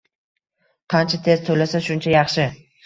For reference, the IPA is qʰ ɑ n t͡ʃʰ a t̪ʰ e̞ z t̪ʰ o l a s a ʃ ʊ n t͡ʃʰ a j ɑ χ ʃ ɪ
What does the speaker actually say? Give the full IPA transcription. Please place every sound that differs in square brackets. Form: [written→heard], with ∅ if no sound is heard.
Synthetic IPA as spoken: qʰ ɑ n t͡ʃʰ a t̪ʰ e̞ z t̪ʰ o l a s a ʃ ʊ n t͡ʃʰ a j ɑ χ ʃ ɪ